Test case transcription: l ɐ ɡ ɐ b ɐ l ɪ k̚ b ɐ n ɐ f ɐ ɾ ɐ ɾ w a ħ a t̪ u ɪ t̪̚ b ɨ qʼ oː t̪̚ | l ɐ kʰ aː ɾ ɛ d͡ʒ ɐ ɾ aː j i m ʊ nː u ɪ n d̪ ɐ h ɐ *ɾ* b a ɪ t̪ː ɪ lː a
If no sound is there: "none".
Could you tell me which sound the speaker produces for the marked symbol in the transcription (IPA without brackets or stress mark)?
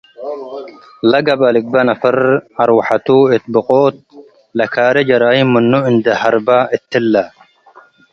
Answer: ɾ